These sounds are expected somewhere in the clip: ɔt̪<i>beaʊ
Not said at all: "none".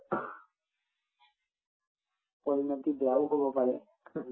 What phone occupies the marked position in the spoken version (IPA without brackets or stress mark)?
i